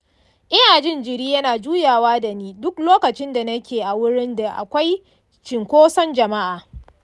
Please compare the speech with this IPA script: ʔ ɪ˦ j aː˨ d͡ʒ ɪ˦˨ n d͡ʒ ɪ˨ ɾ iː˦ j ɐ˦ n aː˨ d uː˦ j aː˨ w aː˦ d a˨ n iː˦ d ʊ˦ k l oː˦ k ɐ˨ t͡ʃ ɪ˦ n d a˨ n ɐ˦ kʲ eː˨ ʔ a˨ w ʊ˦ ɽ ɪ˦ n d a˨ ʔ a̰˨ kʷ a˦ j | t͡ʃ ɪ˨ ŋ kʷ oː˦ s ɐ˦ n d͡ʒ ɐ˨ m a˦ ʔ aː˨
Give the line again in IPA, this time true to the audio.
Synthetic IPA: ʔ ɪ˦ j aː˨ d͡ʒ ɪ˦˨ n d͡ʒ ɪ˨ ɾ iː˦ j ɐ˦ n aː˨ d͡ʒ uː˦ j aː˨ w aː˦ d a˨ n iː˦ d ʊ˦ k l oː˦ k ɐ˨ t͡ʃ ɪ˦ n d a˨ n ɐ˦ kʲ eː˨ ʔ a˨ w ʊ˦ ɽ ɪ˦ n d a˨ ʔ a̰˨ kʷ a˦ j | t͡ʃ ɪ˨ ŋ kʷ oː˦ s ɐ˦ n d͡ʒ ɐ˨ m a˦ ʔ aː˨